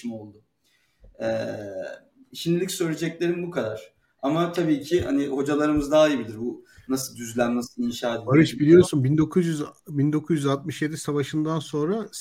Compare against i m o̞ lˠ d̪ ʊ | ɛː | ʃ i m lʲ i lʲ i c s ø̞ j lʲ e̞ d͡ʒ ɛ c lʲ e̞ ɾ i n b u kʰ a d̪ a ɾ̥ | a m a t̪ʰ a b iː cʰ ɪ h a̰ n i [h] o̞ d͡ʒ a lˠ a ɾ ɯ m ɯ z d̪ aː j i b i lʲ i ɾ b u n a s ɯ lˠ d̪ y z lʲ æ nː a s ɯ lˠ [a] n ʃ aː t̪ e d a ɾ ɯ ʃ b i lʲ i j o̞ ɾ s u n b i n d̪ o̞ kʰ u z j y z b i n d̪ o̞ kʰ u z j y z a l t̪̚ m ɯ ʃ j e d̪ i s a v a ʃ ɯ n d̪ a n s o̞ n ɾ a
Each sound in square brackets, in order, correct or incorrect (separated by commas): correct, incorrect